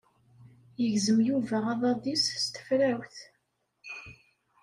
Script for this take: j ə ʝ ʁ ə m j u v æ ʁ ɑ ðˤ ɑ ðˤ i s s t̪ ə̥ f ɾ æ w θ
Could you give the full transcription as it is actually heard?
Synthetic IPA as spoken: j ə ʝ z ə m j u v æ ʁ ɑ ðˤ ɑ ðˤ i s s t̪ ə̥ f ɾ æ w θ